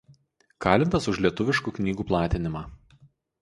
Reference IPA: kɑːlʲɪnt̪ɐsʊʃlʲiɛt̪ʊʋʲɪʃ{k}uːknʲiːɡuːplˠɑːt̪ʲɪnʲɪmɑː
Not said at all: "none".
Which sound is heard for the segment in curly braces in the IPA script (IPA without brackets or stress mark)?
k